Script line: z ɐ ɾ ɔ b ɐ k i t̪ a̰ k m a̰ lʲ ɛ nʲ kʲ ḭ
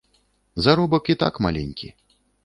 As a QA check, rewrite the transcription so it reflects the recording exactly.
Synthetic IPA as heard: z a ɾ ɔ b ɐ k i t̪ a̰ k m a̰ lʲ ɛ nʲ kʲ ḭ